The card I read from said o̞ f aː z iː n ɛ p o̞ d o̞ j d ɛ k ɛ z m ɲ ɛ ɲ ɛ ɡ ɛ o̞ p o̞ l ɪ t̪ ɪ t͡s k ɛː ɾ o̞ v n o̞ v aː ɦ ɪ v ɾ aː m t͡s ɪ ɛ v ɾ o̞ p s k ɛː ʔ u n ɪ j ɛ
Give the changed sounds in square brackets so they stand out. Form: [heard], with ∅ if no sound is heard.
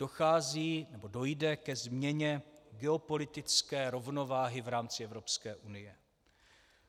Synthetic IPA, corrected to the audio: o̞ [x] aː z iː n ɛ [b] o̞ d o̞ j d ɛ k ɛ z m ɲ ɛ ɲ ɛ ɡ ɛ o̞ p o̞ l ɪ t̪ ɪ t͡s k ɛː ɾ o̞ v n o̞ v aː ɦ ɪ v ɾ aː m t͡s ɪ ɛ v ɾ o̞ p s k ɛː ʔ u n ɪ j ɛ